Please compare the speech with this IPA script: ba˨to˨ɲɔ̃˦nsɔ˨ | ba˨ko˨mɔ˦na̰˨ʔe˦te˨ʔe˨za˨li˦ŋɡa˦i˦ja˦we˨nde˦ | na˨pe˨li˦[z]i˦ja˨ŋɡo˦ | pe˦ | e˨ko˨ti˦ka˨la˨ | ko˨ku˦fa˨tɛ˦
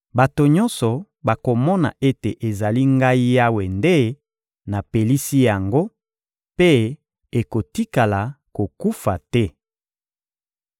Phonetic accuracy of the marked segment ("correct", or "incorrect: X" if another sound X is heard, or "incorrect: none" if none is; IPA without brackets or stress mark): incorrect: s